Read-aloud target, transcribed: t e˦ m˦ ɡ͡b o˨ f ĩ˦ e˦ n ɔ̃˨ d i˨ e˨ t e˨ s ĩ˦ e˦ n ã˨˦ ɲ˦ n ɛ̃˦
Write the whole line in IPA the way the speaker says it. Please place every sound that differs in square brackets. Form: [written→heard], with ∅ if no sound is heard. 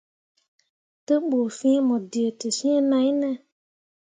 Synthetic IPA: t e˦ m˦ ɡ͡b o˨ f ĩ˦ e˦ [n→m] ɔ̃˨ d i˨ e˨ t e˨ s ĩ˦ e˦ n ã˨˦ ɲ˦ n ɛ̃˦

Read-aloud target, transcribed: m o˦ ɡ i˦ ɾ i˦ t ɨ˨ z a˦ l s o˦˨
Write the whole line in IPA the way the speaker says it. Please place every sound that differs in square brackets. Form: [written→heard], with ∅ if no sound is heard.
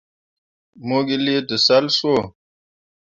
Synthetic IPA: m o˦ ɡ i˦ [ɾ→l] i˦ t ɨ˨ [z→s] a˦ l s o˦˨

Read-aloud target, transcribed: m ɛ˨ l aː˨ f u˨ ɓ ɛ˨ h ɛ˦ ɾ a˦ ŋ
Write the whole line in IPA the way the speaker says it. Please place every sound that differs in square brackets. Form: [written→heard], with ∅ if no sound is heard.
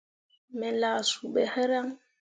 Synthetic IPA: m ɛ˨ l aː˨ [f→s] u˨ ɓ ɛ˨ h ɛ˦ ɾ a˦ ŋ

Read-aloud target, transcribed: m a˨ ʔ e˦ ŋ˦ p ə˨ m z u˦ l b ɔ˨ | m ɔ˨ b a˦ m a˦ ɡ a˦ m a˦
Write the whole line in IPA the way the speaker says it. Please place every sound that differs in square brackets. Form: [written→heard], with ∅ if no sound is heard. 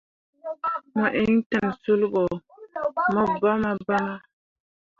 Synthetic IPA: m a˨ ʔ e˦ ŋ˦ [p→t] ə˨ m [z→s] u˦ l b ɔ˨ | m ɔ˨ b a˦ m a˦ [ɡ→b] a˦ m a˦

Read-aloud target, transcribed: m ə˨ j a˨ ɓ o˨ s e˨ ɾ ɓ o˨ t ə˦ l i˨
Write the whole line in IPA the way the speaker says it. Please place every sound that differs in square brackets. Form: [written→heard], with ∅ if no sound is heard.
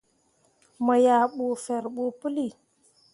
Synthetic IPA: m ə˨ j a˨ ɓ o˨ [s→f] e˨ ɾ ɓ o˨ [t→p] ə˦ l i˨

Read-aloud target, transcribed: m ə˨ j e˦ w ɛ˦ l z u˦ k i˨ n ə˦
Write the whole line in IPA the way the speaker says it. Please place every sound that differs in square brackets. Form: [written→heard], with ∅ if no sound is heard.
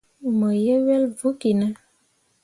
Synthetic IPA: m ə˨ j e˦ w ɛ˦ l [z→v] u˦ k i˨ n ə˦

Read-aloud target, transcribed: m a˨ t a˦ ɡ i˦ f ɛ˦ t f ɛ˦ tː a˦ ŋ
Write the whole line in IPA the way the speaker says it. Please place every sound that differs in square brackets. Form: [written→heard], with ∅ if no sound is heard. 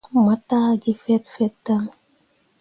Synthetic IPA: m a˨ t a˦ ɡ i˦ f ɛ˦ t f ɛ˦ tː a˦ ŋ

